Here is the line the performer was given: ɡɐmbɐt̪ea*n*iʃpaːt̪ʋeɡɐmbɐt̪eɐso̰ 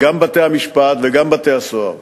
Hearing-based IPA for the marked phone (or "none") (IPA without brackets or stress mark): m